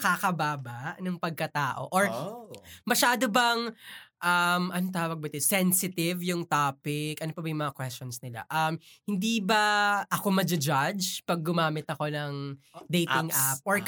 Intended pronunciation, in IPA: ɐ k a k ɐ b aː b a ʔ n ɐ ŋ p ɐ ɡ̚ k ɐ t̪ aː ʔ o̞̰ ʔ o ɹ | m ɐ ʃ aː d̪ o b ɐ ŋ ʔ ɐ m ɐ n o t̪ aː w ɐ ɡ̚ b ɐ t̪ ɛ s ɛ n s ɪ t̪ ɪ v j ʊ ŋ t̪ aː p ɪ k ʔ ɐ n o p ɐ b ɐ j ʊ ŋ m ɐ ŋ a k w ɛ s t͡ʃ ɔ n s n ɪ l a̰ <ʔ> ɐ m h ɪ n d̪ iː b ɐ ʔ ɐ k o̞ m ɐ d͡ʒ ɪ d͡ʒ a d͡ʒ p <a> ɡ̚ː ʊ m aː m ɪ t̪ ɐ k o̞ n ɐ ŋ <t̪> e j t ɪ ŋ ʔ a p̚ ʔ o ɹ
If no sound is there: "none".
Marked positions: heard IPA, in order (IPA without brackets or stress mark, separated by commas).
ʔ, ɐ, d̪